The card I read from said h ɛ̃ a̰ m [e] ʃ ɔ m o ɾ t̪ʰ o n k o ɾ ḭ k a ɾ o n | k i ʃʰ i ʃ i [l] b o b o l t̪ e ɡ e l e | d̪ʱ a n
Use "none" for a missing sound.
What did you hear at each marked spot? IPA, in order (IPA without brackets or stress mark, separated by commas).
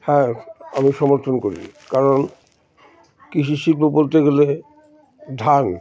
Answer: i, l